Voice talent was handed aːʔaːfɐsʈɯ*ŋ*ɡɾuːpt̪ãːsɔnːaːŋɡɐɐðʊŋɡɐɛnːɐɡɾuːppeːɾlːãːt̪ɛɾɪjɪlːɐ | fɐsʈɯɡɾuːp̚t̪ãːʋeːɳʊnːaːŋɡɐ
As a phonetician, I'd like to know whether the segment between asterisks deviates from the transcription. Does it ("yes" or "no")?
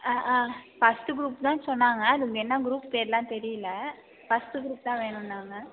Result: yes